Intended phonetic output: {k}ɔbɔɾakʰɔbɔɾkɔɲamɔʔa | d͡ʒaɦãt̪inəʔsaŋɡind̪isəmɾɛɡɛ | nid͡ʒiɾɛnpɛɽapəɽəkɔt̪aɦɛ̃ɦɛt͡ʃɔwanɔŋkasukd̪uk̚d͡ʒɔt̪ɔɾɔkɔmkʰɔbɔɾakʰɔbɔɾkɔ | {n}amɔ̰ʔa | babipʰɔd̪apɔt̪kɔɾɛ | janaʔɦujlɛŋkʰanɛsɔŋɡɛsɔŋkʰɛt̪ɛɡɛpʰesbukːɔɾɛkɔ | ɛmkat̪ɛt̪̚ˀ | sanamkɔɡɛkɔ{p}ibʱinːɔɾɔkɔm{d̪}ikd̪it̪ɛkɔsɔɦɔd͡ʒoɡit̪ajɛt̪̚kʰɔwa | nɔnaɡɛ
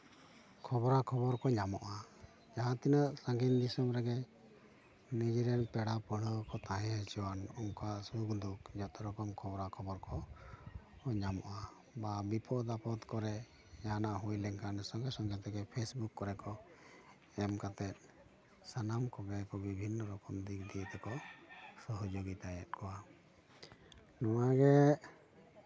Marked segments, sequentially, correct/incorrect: incorrect: kʰ, incorrect: ɲ, incorrect: b, correct

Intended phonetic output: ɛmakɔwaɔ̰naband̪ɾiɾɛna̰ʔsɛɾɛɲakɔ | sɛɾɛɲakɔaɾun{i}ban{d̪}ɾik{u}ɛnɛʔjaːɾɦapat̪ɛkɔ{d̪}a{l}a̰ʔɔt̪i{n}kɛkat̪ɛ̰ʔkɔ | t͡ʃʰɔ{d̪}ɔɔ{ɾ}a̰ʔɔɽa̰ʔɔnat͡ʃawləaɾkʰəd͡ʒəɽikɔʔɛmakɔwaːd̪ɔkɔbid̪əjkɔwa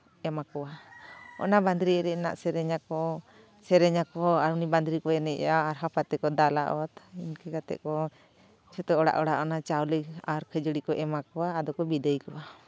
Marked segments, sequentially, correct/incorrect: correct, correct, incorrect: ɔ, correct, correct, correct, incorrect: t̪, incorrect: ɽ

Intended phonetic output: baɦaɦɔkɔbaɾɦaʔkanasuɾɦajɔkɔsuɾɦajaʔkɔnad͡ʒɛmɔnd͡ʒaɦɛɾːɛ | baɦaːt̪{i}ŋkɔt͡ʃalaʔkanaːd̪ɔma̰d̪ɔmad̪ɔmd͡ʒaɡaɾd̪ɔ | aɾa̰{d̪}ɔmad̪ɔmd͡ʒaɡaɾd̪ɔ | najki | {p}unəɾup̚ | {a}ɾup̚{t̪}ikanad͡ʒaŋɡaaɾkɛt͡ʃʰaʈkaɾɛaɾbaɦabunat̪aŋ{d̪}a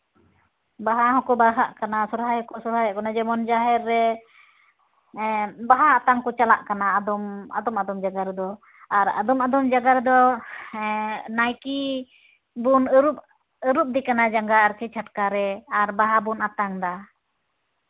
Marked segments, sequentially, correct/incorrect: incorrect: a, correct, incorrect: b, incorrect: ə, incorrect: d̪, correct

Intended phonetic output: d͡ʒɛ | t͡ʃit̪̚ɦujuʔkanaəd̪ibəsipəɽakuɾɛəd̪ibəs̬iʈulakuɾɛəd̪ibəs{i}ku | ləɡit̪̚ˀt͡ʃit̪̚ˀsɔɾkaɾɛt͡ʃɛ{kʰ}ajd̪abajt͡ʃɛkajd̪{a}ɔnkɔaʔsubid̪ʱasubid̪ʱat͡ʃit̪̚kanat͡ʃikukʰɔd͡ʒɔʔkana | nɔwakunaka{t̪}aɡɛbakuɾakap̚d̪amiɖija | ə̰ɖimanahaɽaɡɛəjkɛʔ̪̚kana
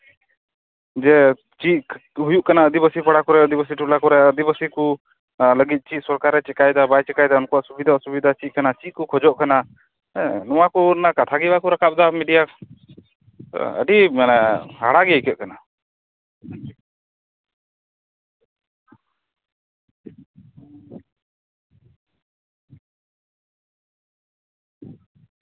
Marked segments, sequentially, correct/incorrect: correct, incorrect: k, correct, incorrect: t̪ʰ

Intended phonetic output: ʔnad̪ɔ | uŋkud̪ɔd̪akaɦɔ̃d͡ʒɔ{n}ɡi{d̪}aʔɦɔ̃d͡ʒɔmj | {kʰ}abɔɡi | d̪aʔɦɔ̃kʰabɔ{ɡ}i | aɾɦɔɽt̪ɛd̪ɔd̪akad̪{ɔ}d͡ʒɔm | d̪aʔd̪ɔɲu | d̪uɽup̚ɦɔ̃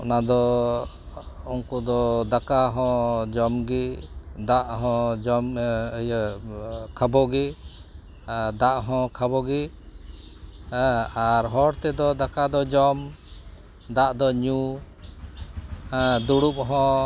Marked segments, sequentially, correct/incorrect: incorrect: m, correct, correct, correct, correct

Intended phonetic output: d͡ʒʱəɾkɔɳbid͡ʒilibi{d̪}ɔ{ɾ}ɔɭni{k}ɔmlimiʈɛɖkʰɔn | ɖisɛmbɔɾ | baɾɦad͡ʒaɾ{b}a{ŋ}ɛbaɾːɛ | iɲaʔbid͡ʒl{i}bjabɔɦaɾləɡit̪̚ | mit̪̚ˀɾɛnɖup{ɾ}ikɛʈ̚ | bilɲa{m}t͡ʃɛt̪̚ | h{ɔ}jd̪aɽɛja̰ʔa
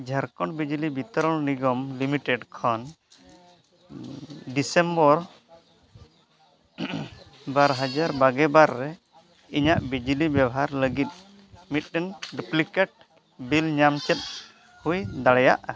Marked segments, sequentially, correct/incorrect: incorrect: t̪, correct, incorrect: ɡ, correct, incorrect: ɡ, correct, incorrect: l, correct, incorrect: u

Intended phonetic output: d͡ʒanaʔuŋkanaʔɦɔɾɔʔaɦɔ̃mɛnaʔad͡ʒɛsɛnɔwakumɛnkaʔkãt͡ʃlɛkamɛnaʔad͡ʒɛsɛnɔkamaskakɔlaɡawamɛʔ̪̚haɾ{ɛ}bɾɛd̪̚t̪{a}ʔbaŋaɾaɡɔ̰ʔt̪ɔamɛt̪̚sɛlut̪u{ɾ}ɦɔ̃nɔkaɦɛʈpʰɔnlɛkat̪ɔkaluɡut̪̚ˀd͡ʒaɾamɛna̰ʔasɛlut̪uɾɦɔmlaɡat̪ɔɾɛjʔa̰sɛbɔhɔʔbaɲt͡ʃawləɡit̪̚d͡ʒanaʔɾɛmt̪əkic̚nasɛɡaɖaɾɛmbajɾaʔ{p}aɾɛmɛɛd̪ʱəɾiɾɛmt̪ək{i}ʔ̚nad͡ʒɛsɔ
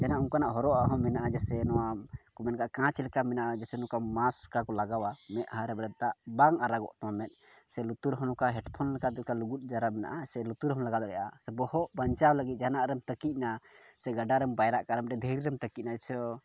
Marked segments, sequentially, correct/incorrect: correct, correct, correct, incorrect: k, correct

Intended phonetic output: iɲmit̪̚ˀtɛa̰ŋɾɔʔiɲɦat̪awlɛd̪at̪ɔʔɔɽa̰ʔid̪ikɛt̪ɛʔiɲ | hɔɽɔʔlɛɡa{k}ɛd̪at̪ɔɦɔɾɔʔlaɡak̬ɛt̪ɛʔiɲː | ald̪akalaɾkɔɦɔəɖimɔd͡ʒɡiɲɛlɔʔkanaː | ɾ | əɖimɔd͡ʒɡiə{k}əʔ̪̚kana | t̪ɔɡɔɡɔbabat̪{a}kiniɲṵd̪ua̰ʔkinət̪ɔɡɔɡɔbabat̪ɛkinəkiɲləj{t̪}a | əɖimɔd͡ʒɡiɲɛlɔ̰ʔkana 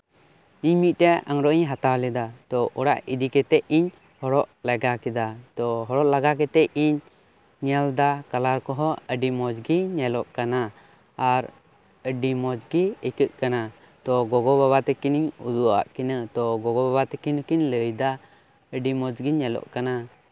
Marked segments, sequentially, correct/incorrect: correct, correct, incorrect: ɛ, incorrect: d̪

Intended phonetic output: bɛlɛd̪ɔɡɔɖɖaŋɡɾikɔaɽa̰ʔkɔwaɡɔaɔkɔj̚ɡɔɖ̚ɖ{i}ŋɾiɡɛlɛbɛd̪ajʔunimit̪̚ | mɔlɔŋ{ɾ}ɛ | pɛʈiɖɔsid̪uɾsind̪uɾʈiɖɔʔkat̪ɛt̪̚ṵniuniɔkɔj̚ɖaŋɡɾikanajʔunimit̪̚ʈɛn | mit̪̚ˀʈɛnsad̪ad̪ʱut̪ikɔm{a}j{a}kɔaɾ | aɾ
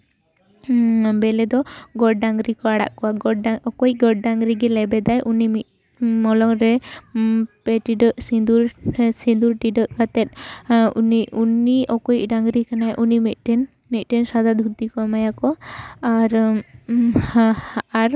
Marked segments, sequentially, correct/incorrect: incorrect: a, correct, correct, correct

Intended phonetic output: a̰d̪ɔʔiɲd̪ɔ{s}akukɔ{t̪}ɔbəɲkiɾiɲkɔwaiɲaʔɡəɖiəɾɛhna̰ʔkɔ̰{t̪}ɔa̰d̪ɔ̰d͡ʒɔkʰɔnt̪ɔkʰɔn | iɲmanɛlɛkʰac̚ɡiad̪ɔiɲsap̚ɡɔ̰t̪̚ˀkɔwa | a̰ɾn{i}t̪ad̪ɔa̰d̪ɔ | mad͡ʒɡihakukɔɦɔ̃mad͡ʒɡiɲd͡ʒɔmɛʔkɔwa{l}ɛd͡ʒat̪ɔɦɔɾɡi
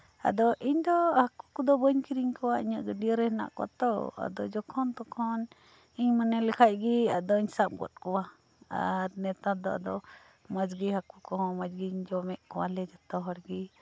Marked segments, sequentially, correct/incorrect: incorrect: h, incorrect: d̪, correct, incorrect: ɛ, correct

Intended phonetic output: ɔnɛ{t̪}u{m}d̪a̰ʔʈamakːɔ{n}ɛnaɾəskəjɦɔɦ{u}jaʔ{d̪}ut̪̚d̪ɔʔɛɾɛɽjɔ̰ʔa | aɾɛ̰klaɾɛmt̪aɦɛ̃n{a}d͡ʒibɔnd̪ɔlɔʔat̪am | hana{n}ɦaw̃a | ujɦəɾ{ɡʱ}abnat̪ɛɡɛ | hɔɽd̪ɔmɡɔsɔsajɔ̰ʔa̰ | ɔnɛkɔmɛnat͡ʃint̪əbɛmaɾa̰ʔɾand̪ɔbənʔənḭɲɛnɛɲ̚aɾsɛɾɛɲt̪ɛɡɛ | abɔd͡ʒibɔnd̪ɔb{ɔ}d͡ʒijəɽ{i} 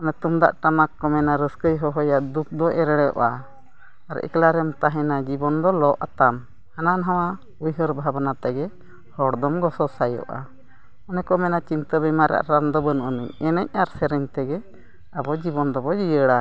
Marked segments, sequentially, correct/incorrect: correct, correct, incorrect: m, incorrect: ɔ, correct, correct, correct, incorrect: bʱ, correct, incorrect: a

